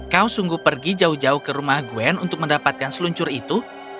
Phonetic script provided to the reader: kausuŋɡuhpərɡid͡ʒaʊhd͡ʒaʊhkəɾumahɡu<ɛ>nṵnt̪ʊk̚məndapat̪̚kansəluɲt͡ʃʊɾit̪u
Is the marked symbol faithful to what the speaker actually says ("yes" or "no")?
yes